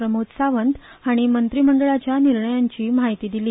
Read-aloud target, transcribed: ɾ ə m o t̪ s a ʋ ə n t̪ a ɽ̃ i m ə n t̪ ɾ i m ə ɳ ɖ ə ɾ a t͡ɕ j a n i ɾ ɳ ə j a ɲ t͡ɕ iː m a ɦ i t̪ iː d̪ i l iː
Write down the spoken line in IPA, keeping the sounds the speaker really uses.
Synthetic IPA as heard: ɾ ə m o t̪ s a ʋ ə n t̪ a ɽ̃ i m ə n t̪ ɾ i m ə ɳ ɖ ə ɭ a t͡ɕ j a n i ɾ ɳ ə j a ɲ t͡ɕ iː m a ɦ i t̪ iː d̪ i l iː

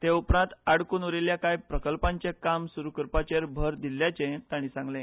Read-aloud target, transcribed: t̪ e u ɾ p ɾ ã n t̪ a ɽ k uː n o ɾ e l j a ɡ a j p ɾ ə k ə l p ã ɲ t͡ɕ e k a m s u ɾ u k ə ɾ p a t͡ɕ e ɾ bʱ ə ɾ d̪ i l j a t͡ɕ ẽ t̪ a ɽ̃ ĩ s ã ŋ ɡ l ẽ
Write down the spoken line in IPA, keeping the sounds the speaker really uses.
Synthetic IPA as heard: t̪ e u p ɾ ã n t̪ a ɽ k uː n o ɾ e l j a k a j p ɾ ə k ə l p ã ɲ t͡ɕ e k a m s u ɾ u k ə ɾ p a t͡ɕ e ɾ bʱ ə ɾ d̪ i l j a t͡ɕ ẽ t̪ a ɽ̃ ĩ s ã ŋ ɡ l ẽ

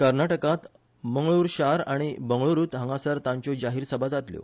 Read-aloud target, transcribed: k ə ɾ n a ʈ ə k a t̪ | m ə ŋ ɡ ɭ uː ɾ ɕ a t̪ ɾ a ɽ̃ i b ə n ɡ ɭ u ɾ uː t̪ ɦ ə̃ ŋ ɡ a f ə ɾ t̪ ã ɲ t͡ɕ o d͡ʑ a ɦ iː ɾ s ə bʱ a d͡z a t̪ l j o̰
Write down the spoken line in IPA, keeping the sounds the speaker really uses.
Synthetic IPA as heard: k ə ɾ n a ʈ ə k a t̪ | m ə ŋ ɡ ɭ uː ɾ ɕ a ɾ a ɽ̃ i b ə ŋ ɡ ɭ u ɾ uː t̪ ɦ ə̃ ŋ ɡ a s ə ɾ t̪ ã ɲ t͡ɕ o d͡ʑ a ɦ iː ɾ s ə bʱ a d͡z a t̪ l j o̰

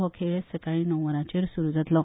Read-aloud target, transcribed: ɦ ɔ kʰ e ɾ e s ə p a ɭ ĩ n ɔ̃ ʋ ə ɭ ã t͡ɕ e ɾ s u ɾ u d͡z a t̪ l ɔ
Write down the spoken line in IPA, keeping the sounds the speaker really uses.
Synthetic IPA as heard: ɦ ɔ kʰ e ɭ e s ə k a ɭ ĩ n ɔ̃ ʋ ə ɾ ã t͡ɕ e ɾ s u ɾ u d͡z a t̪ l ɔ

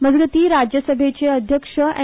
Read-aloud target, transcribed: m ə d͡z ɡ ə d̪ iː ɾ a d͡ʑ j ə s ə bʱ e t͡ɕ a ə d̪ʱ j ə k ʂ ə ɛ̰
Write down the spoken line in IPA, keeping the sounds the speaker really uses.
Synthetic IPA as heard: m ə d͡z ɡ ə t̪ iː ɾ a d͡ʑ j ə s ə bʱ e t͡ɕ e ə d̪ʱ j ə k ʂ ə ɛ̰

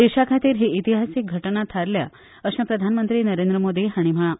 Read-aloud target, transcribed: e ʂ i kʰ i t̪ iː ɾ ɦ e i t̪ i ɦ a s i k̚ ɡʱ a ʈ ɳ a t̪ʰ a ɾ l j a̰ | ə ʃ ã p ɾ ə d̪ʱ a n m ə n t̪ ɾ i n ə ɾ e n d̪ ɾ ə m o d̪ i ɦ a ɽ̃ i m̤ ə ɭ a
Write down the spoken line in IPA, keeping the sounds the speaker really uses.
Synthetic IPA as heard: e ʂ a kʰ a t̪ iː ɾ ɦ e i t̪ i ɦ a s i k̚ ɡʱ ə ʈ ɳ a t̪ʰ a ɾ l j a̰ | ə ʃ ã p ɾ ə d̪ʱ a n m ə n t̪ ɾ i n ə ɾ e n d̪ ɾ ə m o d̪ i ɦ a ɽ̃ i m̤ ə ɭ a

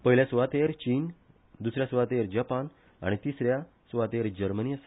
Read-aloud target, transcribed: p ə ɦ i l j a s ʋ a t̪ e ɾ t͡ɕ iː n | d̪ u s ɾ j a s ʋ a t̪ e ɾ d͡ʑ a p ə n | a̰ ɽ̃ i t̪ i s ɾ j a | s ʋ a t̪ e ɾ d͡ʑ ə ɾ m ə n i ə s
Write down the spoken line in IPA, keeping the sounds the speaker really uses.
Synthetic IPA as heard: p ə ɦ i l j a s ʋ a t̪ e ɾ t͡ɕ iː n | d̪ u s ɾ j a s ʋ a t̪ e ɾ d͡ʑ a p a n | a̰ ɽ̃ i t̪ i s ɾ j a | s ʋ a t̪ e ɾ d͡ʑ ə ɾ m ə n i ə s

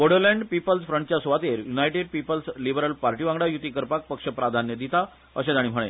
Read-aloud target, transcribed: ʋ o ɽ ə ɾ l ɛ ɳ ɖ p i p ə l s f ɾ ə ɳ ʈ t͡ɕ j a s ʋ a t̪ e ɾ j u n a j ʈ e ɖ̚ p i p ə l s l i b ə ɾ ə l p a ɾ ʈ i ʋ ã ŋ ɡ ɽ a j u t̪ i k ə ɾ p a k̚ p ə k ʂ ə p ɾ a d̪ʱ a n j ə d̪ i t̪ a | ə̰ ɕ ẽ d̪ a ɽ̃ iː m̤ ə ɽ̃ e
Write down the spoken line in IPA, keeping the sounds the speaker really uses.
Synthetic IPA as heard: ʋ o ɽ ə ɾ l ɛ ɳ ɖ p i p ə l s f ɾ ə ɳ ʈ t͡ɕ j a s ʋ a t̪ e ɾ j u n a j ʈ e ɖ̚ p i p ə l s l i b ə ɾ ə l p a ɾ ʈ i ʋ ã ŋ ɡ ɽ a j u t̪ i k ə ɾ p a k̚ p ə k ʂ ə p ɾ a d̪ʱ a n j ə d̪ i t̪ a | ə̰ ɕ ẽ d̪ a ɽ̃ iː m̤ ə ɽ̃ e

